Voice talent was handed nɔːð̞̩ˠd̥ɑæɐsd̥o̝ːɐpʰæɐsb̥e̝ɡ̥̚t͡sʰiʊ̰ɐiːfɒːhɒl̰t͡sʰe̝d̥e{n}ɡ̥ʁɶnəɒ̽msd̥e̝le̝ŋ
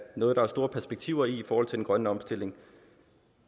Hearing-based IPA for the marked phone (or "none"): n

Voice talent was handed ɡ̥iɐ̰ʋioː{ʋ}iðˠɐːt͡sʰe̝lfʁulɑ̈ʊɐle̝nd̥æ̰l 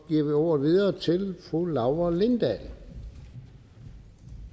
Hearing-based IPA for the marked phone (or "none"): ʋ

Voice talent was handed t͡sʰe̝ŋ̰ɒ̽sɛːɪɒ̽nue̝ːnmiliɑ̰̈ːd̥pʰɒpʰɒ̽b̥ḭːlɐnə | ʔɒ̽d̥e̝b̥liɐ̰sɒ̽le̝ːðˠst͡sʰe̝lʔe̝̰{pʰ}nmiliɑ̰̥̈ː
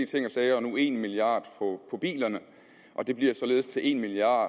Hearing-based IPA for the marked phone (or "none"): none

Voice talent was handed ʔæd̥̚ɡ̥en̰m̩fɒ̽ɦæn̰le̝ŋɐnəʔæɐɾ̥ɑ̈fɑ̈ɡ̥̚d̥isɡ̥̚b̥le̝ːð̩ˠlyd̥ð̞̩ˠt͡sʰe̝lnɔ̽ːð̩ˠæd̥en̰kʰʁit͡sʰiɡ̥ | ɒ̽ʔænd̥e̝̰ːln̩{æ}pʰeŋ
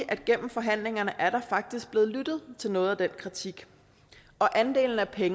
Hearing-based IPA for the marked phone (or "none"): æ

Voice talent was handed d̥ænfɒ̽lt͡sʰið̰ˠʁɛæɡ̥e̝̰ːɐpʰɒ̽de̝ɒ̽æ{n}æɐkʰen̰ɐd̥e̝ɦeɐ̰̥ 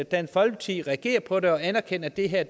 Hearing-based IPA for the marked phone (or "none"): n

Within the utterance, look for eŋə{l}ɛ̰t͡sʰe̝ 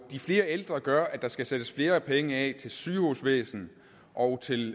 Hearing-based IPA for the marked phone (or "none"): none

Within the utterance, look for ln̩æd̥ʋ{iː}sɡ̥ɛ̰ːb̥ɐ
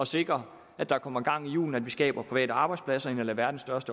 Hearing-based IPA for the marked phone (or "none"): i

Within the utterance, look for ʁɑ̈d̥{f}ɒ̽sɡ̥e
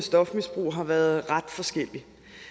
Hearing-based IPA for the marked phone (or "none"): f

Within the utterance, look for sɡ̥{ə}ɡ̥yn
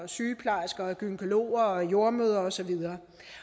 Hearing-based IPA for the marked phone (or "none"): ɐ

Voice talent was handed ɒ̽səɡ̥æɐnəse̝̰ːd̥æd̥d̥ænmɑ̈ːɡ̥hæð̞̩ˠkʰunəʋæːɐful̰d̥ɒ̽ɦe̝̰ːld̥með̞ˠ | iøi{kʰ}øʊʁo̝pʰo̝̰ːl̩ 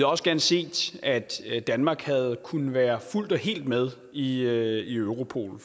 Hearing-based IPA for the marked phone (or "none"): none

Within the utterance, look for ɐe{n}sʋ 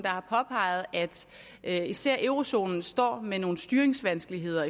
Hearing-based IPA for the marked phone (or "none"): ŋ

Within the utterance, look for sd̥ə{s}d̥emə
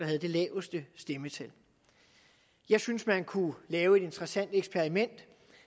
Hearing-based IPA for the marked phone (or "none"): s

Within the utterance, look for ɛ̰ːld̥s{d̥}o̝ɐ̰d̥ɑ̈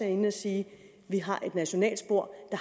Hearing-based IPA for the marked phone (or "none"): b̥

